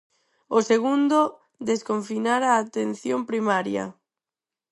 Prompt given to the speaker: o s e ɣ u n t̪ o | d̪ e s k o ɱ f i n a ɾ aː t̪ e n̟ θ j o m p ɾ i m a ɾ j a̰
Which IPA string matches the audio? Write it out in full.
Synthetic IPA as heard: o s e ɣ u n d̪ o | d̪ e s k o ɱ f i n a ɾ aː t̪ e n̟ θ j o m p ɾ i m a ɾ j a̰